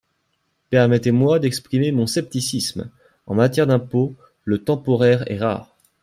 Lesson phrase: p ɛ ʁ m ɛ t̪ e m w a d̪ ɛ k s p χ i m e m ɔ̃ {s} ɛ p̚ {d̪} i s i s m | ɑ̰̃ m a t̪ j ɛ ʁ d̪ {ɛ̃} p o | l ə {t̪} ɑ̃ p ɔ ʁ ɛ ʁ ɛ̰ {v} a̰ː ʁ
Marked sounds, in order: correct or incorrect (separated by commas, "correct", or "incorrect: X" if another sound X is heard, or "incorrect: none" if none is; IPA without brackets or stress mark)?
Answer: correct, incorrect: t̪, correct, correct, incorrect: ʁ